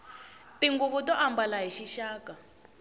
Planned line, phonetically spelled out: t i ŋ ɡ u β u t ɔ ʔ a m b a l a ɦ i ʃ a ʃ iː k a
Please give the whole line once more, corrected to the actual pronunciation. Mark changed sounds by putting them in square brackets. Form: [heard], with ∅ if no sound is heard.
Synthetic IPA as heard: t i ŋ ɡ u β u t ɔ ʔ a m b a l a ɦ i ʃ [i] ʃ [aː] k a